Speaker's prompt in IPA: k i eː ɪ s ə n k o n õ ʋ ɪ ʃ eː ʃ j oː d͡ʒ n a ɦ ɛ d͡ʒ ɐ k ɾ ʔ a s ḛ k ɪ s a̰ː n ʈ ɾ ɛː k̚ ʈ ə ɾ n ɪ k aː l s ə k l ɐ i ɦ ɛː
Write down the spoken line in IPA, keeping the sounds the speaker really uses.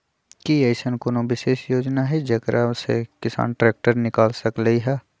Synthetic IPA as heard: k i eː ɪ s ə n k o n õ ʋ ɪ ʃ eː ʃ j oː d͡ʒ n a ɦ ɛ d͡ʒ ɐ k ɾ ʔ a s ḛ k ɪ s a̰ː n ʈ ɾ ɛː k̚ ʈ ə ɾ n ɪ k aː l s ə k l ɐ i ɦ ɛː